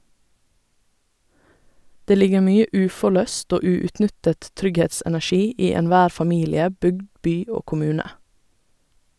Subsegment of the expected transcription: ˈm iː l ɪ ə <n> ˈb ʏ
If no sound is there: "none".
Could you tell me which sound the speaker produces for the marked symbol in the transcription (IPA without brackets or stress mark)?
none